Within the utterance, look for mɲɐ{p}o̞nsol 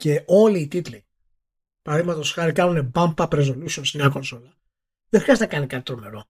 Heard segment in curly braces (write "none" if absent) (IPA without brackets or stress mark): k